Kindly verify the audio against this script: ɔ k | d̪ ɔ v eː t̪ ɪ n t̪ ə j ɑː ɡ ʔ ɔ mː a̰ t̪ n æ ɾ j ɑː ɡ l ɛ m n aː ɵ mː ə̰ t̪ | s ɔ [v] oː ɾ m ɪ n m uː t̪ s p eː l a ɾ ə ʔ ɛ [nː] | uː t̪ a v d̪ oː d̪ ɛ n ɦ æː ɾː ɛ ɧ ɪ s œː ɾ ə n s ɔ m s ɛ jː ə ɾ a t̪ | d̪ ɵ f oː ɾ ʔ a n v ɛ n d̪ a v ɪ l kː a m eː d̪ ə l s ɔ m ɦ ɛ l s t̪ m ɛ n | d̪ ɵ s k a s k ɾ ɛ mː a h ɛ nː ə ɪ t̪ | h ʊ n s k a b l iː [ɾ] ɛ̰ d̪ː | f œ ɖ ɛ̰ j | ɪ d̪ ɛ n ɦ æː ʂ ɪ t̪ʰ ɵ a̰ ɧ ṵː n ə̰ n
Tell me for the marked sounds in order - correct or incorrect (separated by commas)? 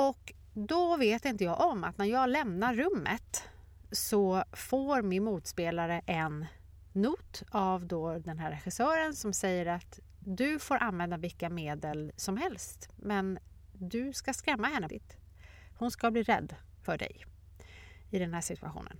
incorrect, correct, correct